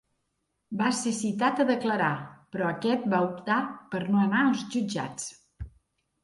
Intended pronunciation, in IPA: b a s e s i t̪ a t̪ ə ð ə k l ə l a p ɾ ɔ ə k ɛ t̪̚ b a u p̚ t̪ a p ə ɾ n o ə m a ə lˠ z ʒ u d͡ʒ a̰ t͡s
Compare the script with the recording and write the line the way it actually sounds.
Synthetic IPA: b a s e s i t̪ a t̪ ə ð ə k l ə ɾ a p ɾ ɔ ə k ɛ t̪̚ b a u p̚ t̪ a p ə ɾ n o ə n a ə lˠ z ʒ u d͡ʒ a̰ t͡s